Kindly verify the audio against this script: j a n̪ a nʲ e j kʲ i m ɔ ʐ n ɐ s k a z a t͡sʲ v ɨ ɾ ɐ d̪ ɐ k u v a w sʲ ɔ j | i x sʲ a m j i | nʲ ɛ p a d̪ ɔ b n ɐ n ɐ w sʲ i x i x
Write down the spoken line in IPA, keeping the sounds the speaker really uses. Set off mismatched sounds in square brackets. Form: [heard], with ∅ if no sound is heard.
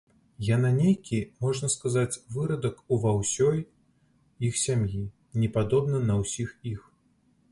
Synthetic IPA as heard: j a n̪ a nʲ e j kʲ i m ɔ ʐ n ɐ s k a z a t͡sʲ v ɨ ɾ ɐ d̪ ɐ k u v a w sʲ ɔ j | i x sʲ a m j i | nʲ ɛ p a d̪ ɔ b n ɐ n ɐ w sʲ i x i x